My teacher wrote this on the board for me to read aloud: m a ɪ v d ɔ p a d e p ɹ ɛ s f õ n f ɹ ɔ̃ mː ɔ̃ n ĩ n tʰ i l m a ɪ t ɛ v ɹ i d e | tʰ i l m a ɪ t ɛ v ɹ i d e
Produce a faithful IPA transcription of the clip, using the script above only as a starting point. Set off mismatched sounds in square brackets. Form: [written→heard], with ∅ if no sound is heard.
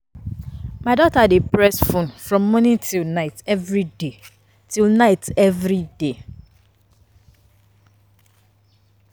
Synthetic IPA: m a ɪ [v→∅] d ɔ [p→t] a d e p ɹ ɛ s f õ n f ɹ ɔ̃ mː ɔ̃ n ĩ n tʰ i l [m→n] a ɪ t ɛ v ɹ i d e | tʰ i l [m→n] a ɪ t ɛ v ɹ i d e